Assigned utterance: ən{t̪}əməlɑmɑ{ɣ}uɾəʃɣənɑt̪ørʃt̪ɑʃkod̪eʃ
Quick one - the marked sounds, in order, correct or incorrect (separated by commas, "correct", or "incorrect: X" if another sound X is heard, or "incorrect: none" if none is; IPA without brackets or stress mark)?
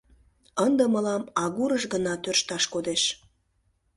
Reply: incorrect: d̪, correct